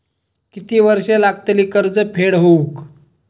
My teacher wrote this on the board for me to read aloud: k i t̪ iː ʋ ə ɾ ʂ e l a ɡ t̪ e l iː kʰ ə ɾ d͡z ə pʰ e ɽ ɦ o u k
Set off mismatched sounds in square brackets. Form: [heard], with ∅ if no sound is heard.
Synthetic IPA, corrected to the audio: k i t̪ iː ʋ ə ɾ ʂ e l a ɡ t̪ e l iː [k] ə ɾ d͡z ə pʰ e ɽ ɦ o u k